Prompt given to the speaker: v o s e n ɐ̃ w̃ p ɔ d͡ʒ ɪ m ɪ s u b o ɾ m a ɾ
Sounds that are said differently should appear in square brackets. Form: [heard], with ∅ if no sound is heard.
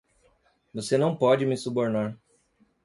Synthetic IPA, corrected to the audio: v o s e n ɐ̃ w̃ p ɔ d͡ʒ ɪ m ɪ s u b o ɾ [n] a ɾ